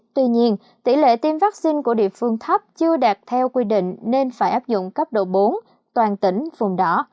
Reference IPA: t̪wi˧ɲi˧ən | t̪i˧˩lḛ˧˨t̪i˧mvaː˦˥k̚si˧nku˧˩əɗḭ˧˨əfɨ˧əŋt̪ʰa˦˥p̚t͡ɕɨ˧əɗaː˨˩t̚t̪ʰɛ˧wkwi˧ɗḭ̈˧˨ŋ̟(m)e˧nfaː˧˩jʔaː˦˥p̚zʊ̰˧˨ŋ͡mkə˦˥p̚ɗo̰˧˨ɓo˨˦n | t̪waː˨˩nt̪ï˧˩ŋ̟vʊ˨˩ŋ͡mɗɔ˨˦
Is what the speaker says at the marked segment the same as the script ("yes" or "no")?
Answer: no